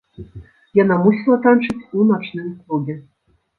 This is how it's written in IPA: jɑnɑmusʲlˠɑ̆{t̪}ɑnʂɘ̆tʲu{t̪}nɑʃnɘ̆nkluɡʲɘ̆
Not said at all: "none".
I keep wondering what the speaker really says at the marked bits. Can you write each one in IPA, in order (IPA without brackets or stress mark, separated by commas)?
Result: t̪, none